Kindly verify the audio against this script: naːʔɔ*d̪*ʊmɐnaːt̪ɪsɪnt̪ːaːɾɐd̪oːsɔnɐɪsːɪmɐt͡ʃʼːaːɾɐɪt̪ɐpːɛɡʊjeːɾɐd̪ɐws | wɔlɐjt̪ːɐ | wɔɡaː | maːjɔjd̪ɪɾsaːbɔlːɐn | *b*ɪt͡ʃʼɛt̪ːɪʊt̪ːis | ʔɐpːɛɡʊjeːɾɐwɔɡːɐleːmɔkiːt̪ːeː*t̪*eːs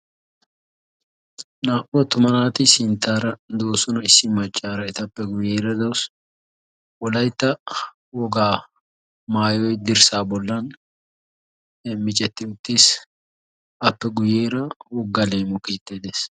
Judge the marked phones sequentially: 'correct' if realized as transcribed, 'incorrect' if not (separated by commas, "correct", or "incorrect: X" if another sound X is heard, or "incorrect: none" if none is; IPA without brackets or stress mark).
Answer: incorrect: t̪, incorrect: m, incorrect: d̪